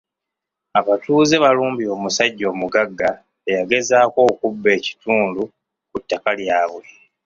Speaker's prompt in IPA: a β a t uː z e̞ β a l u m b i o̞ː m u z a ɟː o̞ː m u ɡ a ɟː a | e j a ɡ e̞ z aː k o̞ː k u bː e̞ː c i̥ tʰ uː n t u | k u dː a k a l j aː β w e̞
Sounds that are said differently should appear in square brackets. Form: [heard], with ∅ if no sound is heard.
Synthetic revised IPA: a β a t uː z e̞ β a l [uː] m b i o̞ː m u [s] a ɟː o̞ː m u ɡ a [ɡː] a | e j a ɡ e̞ z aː k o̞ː k u bː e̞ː c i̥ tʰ uː n [d] u | k u [tː] a k a l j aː β w e̞